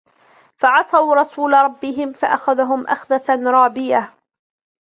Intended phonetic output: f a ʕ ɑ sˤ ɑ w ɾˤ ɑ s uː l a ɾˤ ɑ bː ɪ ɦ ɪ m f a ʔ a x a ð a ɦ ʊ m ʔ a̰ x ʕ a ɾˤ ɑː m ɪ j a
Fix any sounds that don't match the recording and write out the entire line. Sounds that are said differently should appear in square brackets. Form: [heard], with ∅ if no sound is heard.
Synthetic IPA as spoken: f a ʕ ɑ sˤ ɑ w ɾˤ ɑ s uː l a ɾˤ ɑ bː ɪ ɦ ɪ m f a ʔ a x a ð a ɦ ʊ m ʔ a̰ x [ð] a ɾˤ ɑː [b] ɪ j a